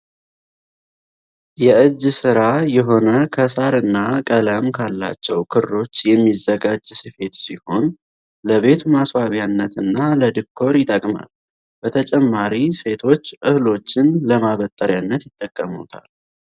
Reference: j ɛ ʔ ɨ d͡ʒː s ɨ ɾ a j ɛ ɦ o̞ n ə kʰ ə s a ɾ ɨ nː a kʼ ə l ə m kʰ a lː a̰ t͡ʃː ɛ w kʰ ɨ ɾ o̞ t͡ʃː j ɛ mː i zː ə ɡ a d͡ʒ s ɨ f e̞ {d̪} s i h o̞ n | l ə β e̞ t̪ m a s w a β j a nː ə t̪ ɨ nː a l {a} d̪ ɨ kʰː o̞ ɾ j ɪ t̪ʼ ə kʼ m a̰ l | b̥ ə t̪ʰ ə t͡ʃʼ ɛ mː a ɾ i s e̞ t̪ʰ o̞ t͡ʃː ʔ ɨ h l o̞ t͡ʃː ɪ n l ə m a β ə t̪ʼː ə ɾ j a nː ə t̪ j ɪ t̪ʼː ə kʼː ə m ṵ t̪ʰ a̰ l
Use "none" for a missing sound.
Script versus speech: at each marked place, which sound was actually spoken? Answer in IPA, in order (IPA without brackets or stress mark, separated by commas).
t̪, ə